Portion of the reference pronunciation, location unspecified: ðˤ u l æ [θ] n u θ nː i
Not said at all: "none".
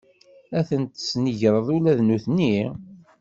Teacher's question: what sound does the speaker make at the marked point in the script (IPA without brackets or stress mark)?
ð